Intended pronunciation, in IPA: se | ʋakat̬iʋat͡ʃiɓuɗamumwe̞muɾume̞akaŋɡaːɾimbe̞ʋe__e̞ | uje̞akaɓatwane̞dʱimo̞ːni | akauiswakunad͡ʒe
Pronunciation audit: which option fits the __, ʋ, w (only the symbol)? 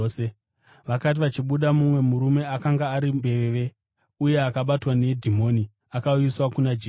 ʋ